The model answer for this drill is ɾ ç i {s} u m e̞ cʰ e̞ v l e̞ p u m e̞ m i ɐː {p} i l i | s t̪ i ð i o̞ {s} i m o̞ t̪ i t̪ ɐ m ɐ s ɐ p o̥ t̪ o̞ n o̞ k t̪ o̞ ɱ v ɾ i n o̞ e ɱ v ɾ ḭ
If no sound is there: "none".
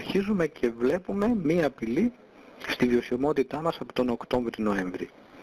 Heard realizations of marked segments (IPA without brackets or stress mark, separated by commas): z, p, s